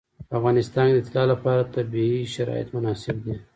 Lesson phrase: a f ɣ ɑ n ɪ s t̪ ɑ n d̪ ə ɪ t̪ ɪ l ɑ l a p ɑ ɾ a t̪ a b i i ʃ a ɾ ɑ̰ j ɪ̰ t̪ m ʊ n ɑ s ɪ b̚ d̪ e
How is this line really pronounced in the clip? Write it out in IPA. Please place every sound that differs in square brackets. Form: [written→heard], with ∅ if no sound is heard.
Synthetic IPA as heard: a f ɣ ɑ n ɪ s t̪ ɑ n d̪ ə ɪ t̪ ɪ l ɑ l a p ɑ ɾ a t̪ a b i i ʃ a ɾ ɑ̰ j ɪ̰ t̪ m ʊ n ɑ s ɪ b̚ d̪ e